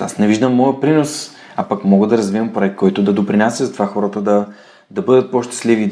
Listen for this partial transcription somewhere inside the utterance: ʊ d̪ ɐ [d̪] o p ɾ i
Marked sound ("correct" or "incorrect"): correct